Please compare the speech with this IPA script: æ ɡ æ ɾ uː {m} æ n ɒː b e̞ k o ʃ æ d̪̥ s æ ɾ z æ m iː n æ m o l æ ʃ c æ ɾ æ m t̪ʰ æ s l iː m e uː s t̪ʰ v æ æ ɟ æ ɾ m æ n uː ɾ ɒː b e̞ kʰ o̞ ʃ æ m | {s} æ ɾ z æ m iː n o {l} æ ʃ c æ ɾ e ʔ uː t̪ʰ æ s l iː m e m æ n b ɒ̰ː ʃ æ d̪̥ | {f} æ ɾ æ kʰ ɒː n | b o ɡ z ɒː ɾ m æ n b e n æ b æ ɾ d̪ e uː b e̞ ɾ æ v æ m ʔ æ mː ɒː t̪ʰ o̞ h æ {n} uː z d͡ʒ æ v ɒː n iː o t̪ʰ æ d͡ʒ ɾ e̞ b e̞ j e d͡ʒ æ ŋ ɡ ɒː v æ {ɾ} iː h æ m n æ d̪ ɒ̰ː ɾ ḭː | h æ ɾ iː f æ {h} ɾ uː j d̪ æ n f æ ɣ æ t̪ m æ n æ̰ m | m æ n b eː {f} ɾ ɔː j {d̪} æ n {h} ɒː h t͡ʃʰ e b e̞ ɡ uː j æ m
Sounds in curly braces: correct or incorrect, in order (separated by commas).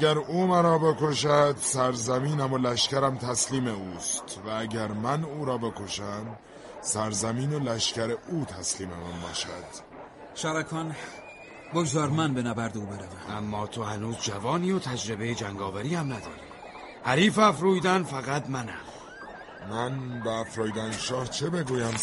correct, correct, correct, incorrect, correct, correct, incorrect, correct, correct, incorrect